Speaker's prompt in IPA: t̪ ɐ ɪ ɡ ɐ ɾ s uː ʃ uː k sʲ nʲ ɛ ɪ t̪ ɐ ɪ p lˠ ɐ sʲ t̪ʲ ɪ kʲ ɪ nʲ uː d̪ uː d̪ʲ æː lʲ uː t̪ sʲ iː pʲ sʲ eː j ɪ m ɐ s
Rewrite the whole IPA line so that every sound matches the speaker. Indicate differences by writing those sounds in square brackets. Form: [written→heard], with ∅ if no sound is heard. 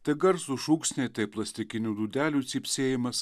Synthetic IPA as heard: t̪ ɐ ɪ ɡ ɐ ɾ s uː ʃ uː k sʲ nʲ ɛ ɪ t̪ ɐ ɪ p lˠ ɐ sʲ t̪ʲ ɪ kʲ ɪ nʲ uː d̪ uː d̪ʲ æː lʲ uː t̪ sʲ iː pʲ sʲ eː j ɪ m ɐ s